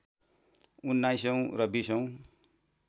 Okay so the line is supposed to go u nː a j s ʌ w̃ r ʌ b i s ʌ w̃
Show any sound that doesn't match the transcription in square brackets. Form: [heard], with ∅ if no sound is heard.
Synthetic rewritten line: u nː a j s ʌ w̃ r ʌ b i s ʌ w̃